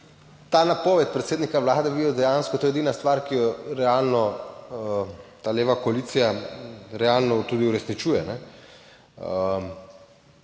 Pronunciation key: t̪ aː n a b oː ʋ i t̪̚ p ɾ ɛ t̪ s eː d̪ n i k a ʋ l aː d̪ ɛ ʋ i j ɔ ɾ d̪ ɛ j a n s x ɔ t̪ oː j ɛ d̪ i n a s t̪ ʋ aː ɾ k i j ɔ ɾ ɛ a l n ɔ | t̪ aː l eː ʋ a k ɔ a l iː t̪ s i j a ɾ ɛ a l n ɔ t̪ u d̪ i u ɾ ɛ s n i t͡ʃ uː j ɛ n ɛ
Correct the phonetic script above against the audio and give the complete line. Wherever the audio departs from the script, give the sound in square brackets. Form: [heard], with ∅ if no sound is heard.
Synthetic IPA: t̪ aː n a [p] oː ʋ [ɛ] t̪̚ p ɾ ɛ t̪ s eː d̪ n i k a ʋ l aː d̪ ɛ ʋ i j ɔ [∅] d̪ ɛ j a n s [k] ɔ t̪ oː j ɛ d̪ i n a s t̪ ʋ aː ɾ k i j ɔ ɾ ɛ a l n ɔ | t̪ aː l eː ʋ a k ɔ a l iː t̪ s i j a ɾ ɛ a l n ɔ t̪ u d̪ i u ɾ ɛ s n i t͡ʃ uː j ɛ n ɛ